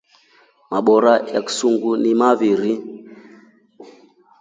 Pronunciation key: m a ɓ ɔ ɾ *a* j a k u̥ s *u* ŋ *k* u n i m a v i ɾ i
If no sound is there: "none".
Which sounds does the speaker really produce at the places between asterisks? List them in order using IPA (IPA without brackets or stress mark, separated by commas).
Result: a, u, ɡ